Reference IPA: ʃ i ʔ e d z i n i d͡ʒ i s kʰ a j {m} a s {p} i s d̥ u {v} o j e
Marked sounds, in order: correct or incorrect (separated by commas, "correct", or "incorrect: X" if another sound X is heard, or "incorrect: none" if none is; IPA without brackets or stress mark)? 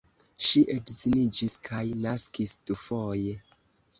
incorrect: n, incorrect: k, incorrect: f